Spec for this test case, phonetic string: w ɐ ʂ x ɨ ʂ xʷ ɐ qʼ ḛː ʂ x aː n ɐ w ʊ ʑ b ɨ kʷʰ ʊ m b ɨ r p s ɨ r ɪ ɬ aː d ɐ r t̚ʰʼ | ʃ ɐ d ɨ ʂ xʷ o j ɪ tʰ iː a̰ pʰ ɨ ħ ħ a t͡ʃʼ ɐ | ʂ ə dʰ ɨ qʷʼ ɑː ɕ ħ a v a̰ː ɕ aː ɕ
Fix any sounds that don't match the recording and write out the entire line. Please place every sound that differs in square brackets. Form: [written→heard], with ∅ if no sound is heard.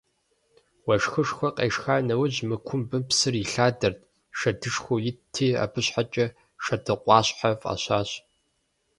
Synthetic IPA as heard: w ɐ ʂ x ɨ ʂ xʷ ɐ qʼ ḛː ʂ x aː n ɐ w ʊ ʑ [b→m] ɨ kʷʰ ʊ m b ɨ [r→∅] p s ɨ r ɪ ɬ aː d ɐ r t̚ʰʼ | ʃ ɐ d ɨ ʂ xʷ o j ɪ tʰ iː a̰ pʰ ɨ [ħ→ɕ] ħ a t͡ʃʼ ɐ | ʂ [ə→ɐ] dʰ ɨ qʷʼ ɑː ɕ ħ a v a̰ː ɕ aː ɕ